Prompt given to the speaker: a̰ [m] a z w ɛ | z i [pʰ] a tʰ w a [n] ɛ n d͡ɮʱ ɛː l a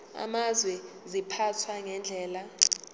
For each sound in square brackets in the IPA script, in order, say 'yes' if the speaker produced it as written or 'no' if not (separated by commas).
yes, yes, no